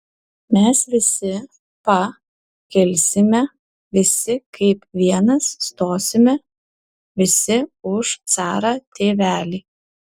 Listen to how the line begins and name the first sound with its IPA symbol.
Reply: mʲ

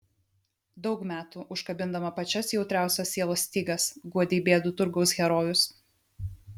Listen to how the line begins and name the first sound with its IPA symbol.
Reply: d̪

